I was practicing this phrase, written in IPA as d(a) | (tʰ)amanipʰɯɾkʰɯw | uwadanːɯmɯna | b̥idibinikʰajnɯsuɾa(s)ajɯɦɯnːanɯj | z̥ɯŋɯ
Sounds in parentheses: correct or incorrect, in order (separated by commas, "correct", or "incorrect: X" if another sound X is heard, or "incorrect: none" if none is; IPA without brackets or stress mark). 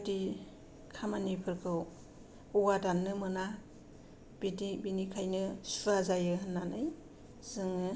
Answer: incorrect: i, incorrect: kʰ, incorrect: z